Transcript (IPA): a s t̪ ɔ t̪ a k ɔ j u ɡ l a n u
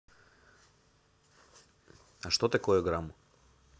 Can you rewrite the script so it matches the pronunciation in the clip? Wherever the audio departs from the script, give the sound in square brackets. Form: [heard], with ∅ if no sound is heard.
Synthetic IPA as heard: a [ʃ] t̪ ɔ t̪ [ɛ] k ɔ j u ɡ [ɾ] a [m] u